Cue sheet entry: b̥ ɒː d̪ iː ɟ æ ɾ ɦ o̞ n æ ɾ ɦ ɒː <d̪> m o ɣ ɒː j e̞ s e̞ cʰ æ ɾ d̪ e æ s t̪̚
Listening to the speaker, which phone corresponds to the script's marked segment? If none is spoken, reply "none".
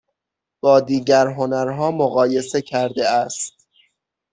none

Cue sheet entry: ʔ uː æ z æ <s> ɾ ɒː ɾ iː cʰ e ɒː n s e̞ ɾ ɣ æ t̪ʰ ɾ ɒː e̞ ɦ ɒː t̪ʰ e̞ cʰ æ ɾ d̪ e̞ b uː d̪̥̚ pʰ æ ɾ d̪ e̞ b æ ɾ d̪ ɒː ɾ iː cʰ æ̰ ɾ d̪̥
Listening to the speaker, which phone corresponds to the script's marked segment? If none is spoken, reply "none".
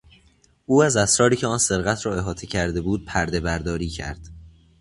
s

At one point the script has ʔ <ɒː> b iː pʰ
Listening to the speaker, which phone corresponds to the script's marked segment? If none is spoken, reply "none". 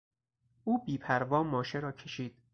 uː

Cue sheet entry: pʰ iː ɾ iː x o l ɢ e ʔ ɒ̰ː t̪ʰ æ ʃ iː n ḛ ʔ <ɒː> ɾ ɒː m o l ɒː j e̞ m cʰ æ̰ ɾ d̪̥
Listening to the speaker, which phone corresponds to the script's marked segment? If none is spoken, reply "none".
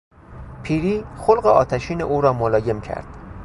uː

